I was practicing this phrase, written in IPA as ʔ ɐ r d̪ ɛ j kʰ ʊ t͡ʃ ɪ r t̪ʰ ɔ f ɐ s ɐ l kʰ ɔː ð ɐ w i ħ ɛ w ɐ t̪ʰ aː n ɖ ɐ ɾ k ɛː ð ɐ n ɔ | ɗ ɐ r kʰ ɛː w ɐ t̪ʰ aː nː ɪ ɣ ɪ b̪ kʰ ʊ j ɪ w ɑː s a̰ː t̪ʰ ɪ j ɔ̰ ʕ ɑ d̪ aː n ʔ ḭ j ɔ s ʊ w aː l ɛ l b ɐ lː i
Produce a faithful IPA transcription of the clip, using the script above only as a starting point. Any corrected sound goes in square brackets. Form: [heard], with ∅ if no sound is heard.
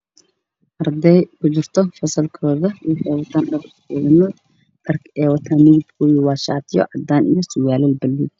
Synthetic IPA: ʔ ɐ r d̪ ɛ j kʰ ʊ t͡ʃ ɪ r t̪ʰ ɔ f ɐ s ɐ l kʰ ɔː ð ɐ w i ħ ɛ w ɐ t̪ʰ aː n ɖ ɐ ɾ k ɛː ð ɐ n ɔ | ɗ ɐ r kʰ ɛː w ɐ t̪ʰ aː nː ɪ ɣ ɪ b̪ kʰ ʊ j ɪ w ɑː [ʃ] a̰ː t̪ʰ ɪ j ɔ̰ ʕ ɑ d̪ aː n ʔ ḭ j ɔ s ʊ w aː l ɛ l b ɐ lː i